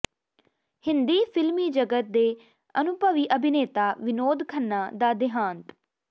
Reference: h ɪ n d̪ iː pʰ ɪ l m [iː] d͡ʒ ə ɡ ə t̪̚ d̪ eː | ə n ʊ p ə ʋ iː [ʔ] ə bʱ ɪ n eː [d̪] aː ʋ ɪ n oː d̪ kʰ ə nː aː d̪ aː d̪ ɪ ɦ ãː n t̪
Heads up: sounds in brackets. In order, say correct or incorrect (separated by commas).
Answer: correct, correct, incorrect